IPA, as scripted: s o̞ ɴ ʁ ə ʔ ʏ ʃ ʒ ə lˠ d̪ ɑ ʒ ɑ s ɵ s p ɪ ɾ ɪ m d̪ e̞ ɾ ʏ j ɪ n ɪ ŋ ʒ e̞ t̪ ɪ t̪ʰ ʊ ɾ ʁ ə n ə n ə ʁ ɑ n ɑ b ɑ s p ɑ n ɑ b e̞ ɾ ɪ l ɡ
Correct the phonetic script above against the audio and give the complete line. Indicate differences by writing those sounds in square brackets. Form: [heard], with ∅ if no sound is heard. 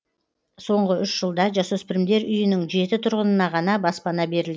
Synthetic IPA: s o̞ ɴ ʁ ə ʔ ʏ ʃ ʒ ə lˠ d̪ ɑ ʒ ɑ s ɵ s p ɪ ɾ ɪ m d̪ e̞ ɾ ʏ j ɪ n ɪ ŋ ʒ e̞ t̪ ɪ t̪ʰ ʊ ɾ ʁ ə n ə n [ɑ] ʁ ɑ n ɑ b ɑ s p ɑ n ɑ b e̞ ɾ ɪ l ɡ